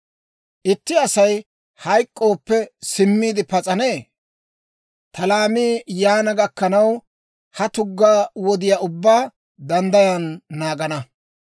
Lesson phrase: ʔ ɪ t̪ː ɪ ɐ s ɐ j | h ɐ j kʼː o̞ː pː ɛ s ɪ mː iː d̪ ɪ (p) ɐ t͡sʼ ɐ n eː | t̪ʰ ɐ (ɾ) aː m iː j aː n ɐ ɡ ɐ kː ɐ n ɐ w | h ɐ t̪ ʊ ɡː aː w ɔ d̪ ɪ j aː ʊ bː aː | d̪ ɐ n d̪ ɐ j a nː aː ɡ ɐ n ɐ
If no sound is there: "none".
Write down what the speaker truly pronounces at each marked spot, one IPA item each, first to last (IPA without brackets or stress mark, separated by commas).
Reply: p, l